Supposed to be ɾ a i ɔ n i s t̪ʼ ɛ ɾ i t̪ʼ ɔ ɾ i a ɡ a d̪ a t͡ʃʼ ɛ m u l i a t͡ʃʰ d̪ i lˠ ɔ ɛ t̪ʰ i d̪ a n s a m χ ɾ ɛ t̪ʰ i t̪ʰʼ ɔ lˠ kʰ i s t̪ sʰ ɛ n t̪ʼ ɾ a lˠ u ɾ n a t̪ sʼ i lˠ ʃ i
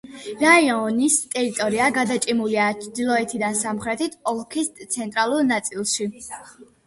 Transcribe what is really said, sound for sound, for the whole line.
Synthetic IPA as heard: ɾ a i ɔ n i s t̪ʼ ɛ ɾ i t̪ʼ ɔ ɾ i a ɡ a d̪ a t͡ʃʼ i m u l i a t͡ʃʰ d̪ i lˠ ɔ ɛ t̪ʰ i d̪ a n s a m χ ɾ ɛ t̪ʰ i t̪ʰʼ ɔ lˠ kʰ i s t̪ sʰ ɛ n t̪ʼ ɾ a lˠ u ɾ n a t̪ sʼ i lˠ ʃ i